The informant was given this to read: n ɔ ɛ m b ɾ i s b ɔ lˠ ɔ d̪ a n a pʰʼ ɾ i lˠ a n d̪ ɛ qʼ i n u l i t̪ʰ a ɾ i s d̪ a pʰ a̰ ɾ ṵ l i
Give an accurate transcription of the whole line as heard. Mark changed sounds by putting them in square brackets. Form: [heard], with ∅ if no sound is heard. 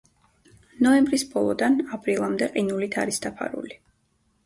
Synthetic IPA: n ɔ ɛ m b ɾ i s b ɔ lˠ ɔ d̪ a n a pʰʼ ɾ i lˠ a [m] d̪ ɛ qʼ i n u l i t̪ʰ a ɾ i s d̪ a pʰ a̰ ɾ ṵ l i